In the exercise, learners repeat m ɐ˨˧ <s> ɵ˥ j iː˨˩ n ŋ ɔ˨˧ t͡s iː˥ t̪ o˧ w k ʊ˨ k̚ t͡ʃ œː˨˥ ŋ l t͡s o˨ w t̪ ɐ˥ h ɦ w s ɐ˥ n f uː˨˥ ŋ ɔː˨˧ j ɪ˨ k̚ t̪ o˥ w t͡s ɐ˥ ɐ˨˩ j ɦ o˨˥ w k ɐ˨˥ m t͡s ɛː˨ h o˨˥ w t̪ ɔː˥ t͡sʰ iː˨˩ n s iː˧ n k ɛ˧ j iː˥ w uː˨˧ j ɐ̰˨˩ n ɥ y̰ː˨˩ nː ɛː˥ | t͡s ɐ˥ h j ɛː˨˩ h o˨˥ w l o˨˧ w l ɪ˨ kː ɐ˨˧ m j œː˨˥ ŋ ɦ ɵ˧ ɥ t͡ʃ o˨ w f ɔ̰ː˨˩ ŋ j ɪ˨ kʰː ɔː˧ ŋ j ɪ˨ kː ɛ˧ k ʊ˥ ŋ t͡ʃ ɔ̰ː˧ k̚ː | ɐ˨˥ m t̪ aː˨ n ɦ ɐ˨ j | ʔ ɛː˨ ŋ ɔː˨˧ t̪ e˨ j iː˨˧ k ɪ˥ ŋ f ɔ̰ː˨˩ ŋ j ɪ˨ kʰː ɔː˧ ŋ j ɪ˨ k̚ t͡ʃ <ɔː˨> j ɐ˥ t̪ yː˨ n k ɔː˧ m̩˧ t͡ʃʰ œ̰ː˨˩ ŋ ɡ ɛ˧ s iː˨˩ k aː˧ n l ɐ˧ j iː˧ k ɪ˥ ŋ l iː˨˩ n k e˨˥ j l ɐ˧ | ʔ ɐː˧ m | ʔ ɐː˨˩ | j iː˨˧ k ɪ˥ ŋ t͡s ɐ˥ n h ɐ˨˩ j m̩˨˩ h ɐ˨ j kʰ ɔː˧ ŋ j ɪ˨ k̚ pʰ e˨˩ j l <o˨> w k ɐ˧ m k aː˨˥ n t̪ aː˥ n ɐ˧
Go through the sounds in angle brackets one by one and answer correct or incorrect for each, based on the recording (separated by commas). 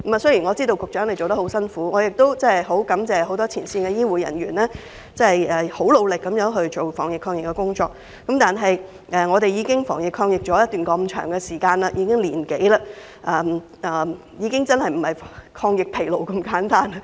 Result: correct, incorrect, correct